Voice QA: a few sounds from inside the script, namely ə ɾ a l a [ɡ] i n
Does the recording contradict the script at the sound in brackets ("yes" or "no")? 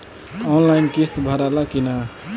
yes